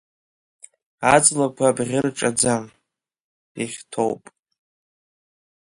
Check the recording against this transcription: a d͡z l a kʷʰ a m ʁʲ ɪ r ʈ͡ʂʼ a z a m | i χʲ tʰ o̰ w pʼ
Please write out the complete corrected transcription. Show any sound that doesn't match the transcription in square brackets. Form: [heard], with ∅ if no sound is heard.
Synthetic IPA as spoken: a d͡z l a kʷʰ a [b] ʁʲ ɪ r ʈ͡ʂʼ a [d͡z] a m | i χʲ tʰ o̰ w pʼ